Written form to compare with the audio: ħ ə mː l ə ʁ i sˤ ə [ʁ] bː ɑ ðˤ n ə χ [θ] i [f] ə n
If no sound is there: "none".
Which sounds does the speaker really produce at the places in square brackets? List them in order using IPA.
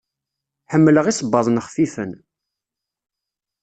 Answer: none, f, f

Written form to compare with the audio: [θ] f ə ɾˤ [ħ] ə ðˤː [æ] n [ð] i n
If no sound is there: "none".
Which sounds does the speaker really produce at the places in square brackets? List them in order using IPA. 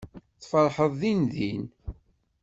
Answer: θ, ħ, i, ð

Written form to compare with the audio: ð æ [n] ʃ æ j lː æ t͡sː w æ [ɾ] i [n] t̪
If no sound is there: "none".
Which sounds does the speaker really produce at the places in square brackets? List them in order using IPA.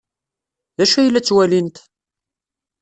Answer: none, l, n

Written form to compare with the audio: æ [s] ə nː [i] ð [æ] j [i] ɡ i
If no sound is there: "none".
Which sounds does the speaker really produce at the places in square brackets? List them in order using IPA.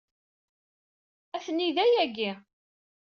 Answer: θ, i, æ, æ

